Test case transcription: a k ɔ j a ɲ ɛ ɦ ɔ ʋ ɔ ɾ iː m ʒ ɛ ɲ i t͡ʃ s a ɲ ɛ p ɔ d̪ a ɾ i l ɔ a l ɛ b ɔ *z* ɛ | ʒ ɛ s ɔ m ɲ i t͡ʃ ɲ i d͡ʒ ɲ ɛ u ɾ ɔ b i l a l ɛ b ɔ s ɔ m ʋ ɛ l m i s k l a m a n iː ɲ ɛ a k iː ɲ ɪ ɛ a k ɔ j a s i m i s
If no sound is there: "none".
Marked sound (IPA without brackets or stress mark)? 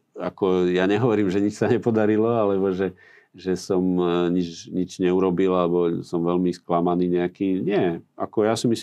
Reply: ʒ